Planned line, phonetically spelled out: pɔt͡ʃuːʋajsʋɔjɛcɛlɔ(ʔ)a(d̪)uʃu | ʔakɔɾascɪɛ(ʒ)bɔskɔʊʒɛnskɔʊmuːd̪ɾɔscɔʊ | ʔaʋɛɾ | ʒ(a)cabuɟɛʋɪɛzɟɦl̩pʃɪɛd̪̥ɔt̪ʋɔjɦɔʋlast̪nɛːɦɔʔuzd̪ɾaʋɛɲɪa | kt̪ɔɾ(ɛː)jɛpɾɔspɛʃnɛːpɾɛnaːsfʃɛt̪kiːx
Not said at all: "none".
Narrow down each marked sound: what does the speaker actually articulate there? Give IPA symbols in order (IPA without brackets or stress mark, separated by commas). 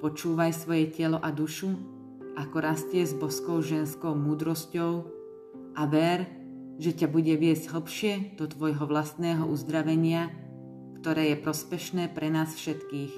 ʔ, d̪, z, ɛ, ɛː